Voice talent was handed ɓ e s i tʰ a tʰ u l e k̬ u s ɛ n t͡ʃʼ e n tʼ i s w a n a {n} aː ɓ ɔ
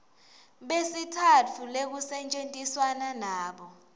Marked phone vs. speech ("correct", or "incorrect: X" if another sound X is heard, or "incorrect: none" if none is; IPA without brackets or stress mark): correct